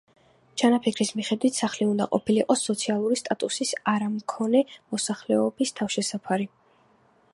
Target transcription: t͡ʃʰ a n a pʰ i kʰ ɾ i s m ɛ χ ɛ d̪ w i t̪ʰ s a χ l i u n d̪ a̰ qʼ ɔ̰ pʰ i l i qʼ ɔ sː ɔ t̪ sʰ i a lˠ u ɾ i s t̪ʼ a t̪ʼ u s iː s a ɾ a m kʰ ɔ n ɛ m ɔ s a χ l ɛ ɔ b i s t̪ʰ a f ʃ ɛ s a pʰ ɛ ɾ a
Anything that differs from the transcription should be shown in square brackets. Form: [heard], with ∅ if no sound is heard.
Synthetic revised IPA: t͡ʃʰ a n a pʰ i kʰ ɾ i s m [i] χ ɛ d̪ w i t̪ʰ s a χ l i u n d̪ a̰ qʼ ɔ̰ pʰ i l i qʼ ɔ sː ɔ t̪ sʰ i a lˠ u ɾ i s t̪ʼ a t̪ʼ u s [i] s a ɾ a m kʰ ɔ n ɛ m ɔ s a χ l ɛ ɔ b i s t̪ʰ a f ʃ ɛ s a pʰ [a] ɾ [i]